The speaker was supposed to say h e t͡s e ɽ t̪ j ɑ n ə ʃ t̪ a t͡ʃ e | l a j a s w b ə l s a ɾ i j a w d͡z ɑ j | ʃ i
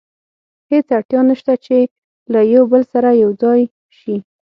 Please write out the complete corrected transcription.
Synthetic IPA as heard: h e t͡s a ɽ t̪ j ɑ n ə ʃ t̪ a t͡ʃ e | l a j a w b ə l s a ɾ a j a w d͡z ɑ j | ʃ i